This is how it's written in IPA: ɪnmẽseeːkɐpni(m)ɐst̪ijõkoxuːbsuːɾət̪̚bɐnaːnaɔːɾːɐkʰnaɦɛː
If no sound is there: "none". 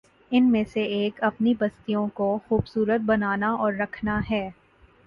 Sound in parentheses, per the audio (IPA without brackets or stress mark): b